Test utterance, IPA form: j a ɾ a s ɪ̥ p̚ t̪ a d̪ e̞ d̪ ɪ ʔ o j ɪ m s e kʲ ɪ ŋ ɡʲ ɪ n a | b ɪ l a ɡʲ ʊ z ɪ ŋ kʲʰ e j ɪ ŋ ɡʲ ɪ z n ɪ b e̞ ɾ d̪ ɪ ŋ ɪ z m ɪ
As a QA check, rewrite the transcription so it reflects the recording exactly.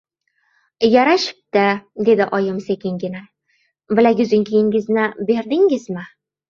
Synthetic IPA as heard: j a ɾ a ʃ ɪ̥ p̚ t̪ a d̪ e̞ d̪ ɪ ʔ ɒ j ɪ m s e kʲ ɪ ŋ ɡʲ ɪ n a | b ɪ l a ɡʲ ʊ z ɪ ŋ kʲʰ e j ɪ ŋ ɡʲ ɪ z n ɪ b e̞ ɾ d̪ ɪ ŋ ɪ z m ɪ